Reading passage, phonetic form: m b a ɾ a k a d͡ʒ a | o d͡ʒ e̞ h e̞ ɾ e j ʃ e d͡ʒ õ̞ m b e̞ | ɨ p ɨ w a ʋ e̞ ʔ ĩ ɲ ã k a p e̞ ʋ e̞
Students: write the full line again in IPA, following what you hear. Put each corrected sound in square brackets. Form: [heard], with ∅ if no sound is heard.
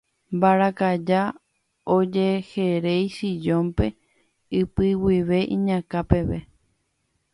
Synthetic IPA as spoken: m b a ɾ a k a d͡ʒ a | o d͡ʒ e̞ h e̞ ɾ e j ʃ [i] d͡ʒ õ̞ m [p] e̞ | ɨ p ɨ w [i] ʋ e̞ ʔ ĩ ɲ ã k a p e̞ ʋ e̞